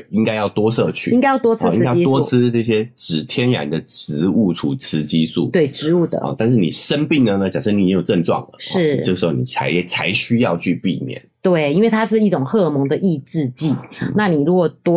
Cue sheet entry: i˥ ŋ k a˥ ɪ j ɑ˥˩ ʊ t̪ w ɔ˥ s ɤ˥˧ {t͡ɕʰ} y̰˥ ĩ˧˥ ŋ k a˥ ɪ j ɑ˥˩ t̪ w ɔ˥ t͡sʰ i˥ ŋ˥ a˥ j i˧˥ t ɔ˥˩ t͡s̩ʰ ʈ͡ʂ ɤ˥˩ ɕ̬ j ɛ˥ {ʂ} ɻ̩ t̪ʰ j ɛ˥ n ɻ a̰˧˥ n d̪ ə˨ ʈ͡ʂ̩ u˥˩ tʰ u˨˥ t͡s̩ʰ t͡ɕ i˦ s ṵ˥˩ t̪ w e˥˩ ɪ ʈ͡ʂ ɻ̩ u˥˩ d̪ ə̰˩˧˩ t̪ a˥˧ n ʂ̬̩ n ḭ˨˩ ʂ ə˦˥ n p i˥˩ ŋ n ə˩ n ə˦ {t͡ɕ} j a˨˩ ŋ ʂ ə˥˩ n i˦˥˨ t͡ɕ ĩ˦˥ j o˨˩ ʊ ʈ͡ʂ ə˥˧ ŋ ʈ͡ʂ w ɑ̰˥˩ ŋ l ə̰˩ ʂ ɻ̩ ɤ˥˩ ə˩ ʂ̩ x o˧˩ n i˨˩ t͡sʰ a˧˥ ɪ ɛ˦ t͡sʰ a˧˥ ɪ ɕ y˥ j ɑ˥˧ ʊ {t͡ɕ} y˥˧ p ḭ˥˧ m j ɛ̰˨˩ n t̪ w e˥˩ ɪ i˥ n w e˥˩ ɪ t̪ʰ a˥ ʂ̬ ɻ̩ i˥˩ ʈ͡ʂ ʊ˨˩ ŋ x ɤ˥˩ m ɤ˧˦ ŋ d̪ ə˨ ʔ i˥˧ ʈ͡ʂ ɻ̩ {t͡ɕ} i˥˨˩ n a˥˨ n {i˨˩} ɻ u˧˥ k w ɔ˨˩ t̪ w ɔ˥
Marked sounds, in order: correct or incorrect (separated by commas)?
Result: correct, incorrect, correct, incorrect, correct, correct